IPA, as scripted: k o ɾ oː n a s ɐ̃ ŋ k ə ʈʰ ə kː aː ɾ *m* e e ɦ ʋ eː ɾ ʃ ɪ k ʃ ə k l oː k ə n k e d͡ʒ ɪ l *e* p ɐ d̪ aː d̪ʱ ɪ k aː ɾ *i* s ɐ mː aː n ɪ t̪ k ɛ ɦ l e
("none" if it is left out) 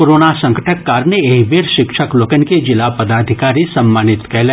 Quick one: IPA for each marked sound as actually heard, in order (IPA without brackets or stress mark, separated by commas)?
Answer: n, a, i